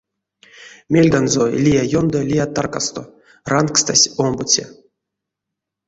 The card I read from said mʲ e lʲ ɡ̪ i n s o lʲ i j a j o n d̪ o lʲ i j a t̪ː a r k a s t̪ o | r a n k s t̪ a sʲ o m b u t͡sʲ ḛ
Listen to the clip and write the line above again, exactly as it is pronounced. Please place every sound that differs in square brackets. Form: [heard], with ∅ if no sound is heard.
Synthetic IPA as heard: mʲ e lʲ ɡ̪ [a] n [z] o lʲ i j a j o n d̪ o lʲ i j a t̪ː a r k a s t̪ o | r a n k s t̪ a sʲ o m b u t͡sʲ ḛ